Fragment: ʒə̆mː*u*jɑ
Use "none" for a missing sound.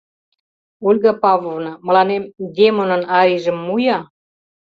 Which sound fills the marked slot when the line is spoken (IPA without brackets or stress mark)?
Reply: u